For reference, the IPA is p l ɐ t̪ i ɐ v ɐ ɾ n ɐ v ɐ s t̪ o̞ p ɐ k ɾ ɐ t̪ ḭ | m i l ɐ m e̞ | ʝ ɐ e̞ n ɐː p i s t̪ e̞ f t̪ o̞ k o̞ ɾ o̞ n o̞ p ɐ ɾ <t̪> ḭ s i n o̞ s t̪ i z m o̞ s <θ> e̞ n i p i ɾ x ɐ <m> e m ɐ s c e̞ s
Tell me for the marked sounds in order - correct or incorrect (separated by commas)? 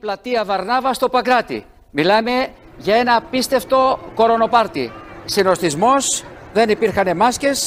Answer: correct, incorrect, incorrect